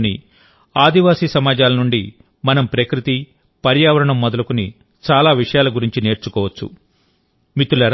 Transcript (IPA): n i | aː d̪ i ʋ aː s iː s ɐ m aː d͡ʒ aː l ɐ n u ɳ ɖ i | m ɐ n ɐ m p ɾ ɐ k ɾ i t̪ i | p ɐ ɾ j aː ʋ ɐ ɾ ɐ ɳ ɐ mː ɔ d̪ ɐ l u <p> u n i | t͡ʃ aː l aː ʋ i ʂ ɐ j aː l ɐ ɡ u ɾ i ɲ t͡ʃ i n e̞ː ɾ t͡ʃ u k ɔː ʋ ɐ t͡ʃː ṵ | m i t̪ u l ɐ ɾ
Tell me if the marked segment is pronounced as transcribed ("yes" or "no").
no